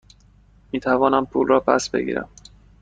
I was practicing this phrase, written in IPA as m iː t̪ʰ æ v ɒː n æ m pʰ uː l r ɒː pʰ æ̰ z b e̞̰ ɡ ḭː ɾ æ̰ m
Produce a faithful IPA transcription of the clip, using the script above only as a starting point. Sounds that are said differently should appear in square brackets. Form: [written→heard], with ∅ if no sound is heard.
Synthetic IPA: m iː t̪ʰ æ v ɒː n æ m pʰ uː l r ɒː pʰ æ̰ [z→s] b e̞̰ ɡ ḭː ɾ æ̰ m